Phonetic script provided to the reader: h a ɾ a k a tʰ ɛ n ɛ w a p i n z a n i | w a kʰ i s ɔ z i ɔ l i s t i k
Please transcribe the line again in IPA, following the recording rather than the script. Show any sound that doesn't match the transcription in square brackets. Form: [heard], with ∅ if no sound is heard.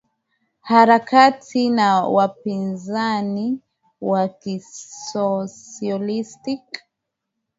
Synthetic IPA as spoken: h a ɾ a k a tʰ [i] n [a] w a p i n z a n i | w a [k] i s ɔ [s] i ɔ l i s t i k

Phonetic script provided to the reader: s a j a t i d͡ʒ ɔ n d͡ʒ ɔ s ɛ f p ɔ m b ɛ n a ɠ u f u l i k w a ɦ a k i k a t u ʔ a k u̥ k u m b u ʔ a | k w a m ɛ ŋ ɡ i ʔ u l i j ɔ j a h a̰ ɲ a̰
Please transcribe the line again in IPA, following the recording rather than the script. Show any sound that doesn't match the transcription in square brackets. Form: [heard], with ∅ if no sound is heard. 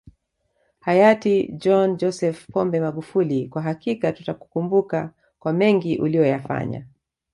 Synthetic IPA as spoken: [h] a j a t i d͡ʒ ɔ n d͡ʒ ɔ s ɛ f p ɔ m b ɛ [m] a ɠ u f u l i k w a ɦ a k i k a t u [t] a k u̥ k u m b u [k] a | k w a m ɛ ŋ ɡ i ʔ u l i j ɔ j a [f] a̰ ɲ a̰

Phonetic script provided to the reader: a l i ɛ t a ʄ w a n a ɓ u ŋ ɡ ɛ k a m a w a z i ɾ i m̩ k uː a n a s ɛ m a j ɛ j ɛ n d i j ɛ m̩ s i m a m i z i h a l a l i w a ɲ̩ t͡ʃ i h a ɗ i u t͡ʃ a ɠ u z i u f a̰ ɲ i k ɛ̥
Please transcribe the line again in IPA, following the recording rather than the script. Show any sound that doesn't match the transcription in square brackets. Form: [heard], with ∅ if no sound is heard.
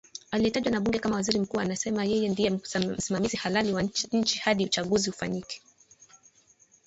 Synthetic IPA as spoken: a l i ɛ t a ʄ w a n a ɓ u ŋ ɡ ɛ k a m a w a z i ɾ i m̩ k uː a n a s ɛ m a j ɛ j ɛ n d i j ɛ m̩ s i m a m i z i h a l a l i w a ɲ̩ t͡ʃ i h a ɗ i u t͡ʃ a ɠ u z i u f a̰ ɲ i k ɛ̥

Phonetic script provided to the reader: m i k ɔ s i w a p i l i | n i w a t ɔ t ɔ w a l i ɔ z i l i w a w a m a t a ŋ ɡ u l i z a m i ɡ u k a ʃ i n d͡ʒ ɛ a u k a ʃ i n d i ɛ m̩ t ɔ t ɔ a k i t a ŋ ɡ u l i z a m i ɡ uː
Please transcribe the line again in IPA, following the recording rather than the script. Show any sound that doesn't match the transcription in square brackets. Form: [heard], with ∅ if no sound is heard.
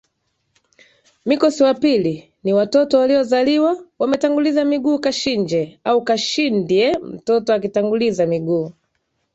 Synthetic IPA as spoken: m i k ɔ s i w a p i l i | n i w a t ɔ t ɔ w a l i ɔ z [a] l i w a w a m [ɛ] t a ŋ ɡ u l i z a m i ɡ [uː] k a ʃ i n d͡ʒ ɛ a u k a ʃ i n d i ɛ m̩ t ɔ t ɔ a k i t a ŋ ɡ u l i z a m i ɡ uː

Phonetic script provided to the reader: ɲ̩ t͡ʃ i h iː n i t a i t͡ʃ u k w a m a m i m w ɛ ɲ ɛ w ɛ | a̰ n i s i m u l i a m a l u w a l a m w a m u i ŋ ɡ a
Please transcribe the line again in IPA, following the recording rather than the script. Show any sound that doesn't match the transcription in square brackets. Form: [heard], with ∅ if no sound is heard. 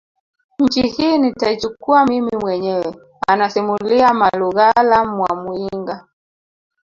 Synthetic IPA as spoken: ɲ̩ t͡ʃ i h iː n i t a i t͡ʃ u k [u] a m [i] m i m w ɛ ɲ ɛ w ɛ | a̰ n [a] s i m u l i a m a l u [ɣ] a l a m w a m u i ŋ ɡ a

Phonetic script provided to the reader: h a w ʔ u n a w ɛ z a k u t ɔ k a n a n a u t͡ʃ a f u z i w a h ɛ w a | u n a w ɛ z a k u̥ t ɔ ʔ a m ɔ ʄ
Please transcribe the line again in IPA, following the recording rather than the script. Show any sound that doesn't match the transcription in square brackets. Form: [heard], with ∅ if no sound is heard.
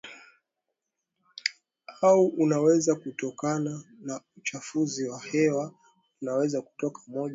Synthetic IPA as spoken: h a [u] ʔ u n a w ɛ z a k u t ɔ k a n a n a u t͡ʃ a f u z i w a h ɛ w a | u n a w ɛ z a k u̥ t ɔ [k] a m ɔ ʄ

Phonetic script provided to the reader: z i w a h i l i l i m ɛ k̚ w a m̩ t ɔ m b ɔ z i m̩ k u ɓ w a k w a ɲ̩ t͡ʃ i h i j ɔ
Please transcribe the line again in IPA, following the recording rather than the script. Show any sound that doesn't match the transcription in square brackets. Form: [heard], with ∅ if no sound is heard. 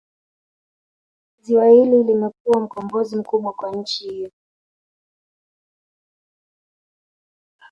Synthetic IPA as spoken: z i w a h i l i l i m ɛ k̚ [u] a m̩ [k] ɔ m b ɔ z i m̩ k u ɓ w a k w a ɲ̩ t͡ʃ i h i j ɔ

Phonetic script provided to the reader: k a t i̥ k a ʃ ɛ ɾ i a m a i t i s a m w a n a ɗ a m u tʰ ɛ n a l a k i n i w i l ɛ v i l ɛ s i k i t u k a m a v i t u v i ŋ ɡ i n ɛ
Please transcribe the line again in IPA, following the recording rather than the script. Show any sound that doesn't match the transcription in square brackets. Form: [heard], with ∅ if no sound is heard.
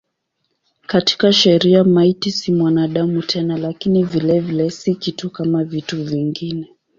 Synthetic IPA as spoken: k a t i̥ k a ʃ ɛ ɾ i a m a i t i s [i] m w a n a ɗ a m u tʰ ɛ n a l a k i n i [v] i l ɛ v i l ɛ s i k i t u k a m a v i t u v i ŋ ɡ i n ɛ

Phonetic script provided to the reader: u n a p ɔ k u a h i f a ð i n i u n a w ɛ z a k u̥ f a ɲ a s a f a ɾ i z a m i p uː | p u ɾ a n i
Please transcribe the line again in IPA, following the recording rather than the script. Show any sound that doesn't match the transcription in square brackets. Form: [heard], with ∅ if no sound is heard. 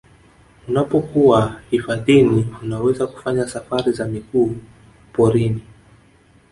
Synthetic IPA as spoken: u n a p ɔ k u a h i f a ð i n i u n a w ɛ z a k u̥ f a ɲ a s a f a ɾ i z a m i [k] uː | p [ɔ] ɾ [i] n i

